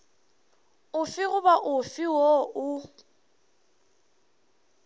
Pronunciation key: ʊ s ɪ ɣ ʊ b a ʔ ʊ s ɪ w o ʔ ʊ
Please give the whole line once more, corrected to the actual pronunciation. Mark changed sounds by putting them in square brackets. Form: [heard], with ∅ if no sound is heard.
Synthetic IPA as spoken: ʊ [f] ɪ ɣ ʊ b a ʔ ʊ [f] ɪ w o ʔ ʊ